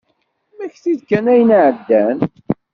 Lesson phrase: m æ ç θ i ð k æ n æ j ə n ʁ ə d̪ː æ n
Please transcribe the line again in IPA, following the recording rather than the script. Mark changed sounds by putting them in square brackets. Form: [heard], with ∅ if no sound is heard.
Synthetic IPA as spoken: m æ ç θ i ð k æ n æ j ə n [ʕ] ə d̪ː æ n